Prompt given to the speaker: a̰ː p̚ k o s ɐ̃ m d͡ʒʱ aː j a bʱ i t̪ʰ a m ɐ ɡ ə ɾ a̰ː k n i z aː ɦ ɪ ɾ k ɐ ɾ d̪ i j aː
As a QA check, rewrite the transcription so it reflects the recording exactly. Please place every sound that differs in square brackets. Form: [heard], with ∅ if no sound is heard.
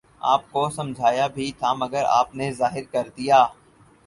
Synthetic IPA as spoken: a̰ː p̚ k o s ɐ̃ m d͡ʒʱ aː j a bʱ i t̪ʰ a m ɐ ɡ ə ɾ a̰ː [p] n [e] z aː ɦ ɪ ɾ k ɐ ɾ d̪ i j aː